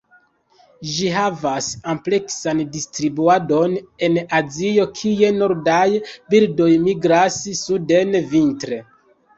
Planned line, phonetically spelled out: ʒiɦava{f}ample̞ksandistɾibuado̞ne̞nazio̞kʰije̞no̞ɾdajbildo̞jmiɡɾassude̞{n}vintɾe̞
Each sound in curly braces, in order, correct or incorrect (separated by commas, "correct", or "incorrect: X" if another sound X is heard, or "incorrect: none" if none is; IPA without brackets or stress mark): incorrect: s, correct